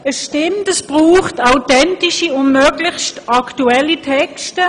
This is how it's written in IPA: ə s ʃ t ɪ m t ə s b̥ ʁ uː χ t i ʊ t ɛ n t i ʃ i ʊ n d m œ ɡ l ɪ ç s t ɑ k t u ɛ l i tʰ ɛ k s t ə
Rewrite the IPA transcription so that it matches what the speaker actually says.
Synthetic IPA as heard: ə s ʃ t ɪ m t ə s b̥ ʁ uː χ t a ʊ t ɛ n t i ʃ i ʊ n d m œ ɡ l ɪ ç s t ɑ k t u ɛ l i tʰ ɛ k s t ə